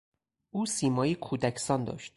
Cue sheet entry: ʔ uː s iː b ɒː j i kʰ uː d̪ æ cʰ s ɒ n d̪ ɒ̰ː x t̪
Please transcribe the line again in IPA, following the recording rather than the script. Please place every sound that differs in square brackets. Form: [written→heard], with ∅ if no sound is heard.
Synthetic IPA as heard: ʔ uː s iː [b→m] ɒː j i kʰ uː d̪ æ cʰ s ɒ n d̪ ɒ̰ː [x→ʃ] t̪